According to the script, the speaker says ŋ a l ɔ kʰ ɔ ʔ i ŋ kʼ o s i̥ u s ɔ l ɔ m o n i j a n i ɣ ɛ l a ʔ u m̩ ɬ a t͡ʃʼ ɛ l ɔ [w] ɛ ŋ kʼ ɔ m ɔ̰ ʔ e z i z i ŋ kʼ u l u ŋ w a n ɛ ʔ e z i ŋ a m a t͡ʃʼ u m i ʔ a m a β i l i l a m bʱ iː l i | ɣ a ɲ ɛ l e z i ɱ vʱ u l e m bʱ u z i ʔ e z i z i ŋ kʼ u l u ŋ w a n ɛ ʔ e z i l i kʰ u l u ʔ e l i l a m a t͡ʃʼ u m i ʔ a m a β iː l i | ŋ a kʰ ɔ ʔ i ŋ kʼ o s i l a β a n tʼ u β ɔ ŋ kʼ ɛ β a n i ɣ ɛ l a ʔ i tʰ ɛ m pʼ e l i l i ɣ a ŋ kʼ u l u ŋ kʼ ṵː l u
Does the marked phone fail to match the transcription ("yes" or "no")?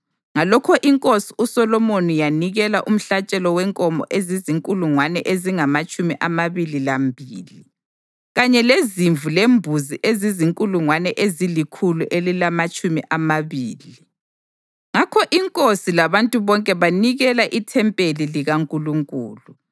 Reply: no